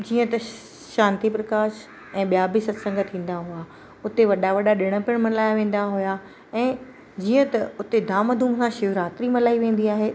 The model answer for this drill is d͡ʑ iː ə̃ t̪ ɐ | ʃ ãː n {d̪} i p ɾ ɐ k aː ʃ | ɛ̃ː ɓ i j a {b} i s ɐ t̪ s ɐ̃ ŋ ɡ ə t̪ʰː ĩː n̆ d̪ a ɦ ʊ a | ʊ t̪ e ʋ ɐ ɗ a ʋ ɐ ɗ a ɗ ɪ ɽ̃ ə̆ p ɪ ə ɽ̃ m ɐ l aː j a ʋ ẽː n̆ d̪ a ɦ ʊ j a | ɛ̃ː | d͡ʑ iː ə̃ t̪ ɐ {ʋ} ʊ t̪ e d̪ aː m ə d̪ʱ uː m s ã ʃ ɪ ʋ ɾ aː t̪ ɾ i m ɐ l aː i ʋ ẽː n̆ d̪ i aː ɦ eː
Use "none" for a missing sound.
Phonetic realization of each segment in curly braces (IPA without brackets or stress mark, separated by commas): t̪, b, none